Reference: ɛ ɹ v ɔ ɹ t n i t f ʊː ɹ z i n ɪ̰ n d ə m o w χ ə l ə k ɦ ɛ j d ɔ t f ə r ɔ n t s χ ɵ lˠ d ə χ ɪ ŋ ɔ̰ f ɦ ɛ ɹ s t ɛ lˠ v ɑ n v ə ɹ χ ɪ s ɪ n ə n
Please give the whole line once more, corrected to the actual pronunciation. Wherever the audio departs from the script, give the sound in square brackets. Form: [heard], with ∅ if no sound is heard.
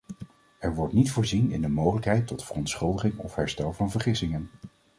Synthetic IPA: ɛ ɹ [ʋ] ɔ ɹ t n i t f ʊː ɹ z i n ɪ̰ n d ə m o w χ ə l ə k ɦ ɛ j [t] ɔ t f ə r ɔ n t s χ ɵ lˠ d ə χ ɪ ŋ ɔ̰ f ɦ ɛ ɹ s t ɛ lˠ v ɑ n v ə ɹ χ ɪ s ɪ [ŋ] ə n